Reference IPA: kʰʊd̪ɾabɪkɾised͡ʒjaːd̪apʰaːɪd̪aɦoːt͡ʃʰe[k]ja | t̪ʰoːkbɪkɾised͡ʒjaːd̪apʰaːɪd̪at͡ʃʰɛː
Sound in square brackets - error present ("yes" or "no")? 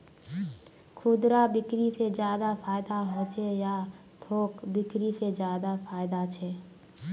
yes